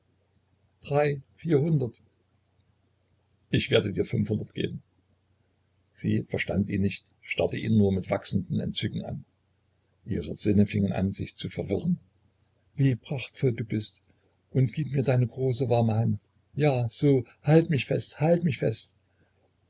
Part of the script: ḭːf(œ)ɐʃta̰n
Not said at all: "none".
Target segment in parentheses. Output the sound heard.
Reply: ɛ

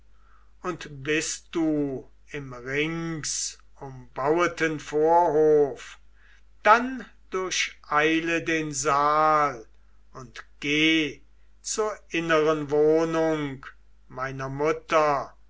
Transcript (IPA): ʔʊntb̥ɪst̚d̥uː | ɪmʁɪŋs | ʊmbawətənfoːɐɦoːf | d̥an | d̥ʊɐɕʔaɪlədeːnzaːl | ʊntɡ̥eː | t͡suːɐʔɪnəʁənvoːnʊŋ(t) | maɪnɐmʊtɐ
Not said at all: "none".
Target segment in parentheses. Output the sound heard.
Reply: k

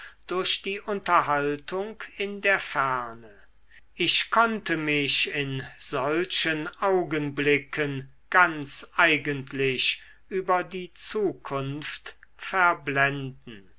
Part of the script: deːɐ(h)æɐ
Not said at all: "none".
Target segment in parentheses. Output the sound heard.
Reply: f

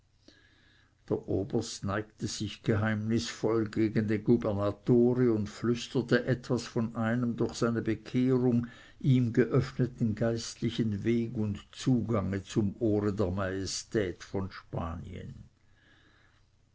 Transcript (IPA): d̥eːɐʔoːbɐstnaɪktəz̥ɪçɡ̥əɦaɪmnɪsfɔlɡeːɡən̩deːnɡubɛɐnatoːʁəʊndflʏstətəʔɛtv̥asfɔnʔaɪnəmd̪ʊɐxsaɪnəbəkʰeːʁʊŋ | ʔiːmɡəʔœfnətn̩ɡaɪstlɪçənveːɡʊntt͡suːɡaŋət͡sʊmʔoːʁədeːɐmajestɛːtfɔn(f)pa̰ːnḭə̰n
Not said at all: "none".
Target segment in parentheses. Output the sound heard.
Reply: ʃ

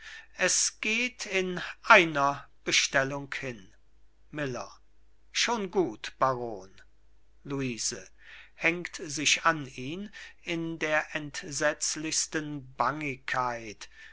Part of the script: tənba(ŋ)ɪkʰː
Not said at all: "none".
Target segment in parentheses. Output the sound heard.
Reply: ŋ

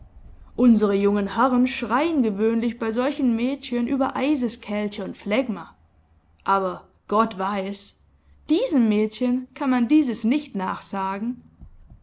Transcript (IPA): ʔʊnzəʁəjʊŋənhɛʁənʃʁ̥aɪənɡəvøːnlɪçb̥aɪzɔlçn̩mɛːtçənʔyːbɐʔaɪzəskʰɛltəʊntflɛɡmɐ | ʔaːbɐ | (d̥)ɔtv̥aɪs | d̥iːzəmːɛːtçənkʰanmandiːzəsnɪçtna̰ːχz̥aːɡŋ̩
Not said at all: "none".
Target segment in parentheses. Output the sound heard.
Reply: ɡ̥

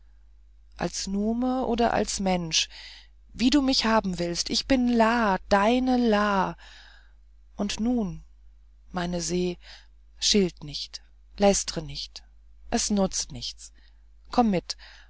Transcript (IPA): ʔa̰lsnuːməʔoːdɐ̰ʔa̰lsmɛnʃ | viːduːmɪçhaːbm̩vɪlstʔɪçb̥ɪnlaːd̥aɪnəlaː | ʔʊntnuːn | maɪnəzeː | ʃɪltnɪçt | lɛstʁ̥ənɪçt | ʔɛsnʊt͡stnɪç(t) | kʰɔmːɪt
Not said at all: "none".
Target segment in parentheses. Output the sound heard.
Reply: t͡s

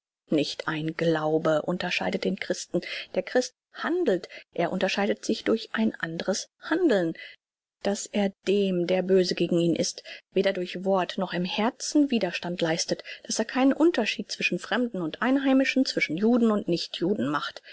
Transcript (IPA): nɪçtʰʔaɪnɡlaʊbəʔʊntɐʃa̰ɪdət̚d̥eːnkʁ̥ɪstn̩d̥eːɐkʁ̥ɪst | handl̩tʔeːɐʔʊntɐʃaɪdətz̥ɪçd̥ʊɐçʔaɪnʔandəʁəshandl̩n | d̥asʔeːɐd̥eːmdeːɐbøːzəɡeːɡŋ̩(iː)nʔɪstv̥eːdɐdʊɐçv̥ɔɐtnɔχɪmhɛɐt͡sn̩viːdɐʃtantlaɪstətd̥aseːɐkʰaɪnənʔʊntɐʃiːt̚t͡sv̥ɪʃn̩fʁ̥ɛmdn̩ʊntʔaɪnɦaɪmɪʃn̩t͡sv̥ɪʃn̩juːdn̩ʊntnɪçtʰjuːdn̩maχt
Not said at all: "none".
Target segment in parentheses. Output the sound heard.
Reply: iː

